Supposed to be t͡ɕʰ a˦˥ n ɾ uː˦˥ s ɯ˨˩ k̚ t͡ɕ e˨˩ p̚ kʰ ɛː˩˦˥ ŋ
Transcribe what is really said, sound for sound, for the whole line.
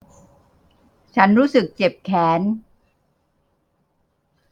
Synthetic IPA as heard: t͡ɕʰ a˦˥ n ɾ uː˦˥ s ɯ˨˩ k̚ t͡ɕ e˨˩ p̚ kʰ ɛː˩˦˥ n